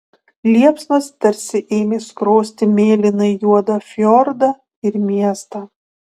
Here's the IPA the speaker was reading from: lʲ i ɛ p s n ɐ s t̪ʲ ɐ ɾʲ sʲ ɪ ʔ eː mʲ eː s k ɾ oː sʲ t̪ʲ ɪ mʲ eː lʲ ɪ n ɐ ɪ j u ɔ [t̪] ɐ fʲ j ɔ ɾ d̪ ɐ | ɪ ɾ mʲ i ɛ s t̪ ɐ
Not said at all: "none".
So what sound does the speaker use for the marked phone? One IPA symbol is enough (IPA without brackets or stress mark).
d̪